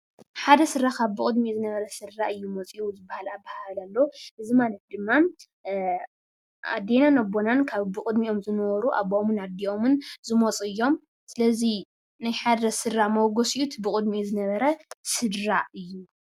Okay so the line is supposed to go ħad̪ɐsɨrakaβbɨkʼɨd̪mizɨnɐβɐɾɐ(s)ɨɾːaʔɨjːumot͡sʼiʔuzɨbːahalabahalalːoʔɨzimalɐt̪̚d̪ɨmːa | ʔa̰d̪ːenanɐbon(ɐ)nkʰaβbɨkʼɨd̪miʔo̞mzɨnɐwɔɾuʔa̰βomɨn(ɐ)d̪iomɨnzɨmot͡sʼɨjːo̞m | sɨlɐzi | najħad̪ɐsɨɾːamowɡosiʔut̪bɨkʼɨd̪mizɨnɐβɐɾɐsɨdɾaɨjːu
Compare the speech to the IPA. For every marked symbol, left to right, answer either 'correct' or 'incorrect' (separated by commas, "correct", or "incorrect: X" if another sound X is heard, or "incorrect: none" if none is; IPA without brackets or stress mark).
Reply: correct, incorrect: a, incorrect: a